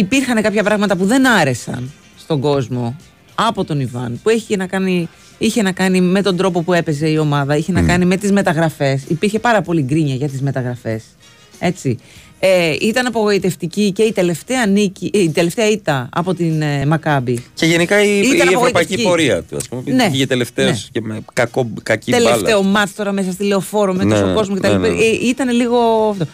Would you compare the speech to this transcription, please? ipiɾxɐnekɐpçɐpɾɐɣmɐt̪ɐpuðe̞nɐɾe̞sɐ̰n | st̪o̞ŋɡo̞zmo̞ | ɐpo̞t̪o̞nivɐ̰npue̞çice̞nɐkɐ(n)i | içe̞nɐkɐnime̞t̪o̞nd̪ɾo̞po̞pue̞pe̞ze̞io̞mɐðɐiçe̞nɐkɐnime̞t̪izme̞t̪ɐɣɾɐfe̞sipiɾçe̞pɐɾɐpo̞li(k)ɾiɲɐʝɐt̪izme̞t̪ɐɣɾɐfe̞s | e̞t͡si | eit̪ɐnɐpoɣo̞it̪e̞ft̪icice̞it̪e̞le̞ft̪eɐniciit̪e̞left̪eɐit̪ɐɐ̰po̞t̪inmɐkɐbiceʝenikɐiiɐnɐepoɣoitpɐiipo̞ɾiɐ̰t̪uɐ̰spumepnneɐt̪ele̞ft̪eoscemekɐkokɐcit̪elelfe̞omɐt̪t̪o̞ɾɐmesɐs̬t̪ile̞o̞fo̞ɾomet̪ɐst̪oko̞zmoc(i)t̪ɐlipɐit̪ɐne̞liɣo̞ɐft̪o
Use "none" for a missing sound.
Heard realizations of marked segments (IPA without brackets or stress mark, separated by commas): n, ɡ, e